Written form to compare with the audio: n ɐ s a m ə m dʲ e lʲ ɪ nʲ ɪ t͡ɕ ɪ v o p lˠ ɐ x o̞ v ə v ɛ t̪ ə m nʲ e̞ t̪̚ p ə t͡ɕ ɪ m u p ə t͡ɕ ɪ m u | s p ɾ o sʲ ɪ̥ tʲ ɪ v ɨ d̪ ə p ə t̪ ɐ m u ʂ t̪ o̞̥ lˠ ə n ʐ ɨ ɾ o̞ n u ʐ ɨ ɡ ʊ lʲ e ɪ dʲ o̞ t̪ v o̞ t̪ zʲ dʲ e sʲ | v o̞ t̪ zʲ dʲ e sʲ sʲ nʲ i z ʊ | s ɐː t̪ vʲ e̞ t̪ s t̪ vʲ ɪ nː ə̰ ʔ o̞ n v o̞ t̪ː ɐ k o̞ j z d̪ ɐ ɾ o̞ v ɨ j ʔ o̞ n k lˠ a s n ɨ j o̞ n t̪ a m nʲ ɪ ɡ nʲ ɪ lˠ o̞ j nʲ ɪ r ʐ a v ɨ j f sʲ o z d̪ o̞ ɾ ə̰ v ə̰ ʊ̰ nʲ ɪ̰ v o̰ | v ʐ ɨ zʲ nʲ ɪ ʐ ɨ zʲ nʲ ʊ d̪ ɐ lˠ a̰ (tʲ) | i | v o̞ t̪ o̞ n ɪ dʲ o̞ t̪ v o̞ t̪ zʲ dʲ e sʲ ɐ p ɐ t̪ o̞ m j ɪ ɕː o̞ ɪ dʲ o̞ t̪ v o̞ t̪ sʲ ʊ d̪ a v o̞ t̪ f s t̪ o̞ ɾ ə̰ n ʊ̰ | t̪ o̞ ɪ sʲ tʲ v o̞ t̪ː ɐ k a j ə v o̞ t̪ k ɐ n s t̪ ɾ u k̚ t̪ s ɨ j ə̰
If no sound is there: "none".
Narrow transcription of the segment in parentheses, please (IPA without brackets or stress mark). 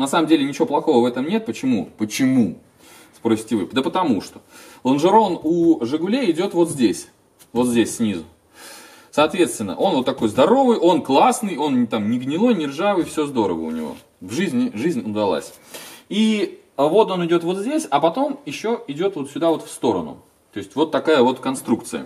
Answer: sʲ